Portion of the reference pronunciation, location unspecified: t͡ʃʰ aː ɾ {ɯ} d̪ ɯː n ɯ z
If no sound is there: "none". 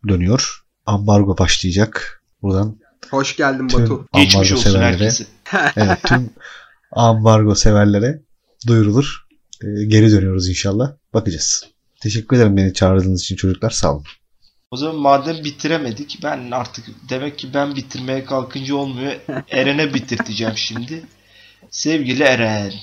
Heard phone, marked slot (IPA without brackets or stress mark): ɯ